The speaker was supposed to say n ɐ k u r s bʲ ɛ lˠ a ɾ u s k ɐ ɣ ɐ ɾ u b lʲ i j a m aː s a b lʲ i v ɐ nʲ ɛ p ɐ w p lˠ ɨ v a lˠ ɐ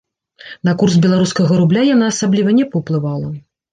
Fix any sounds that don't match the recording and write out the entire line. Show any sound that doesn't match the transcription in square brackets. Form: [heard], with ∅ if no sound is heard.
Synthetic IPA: n ɐ k u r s bʲ ɛ lˠ a ɾ u s k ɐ ɣ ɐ ɾ u b lʲ [a] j a [n] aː s a b lʲ i v ɐ nʲ ɛ p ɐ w p lˠ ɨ v a lˠ ɐ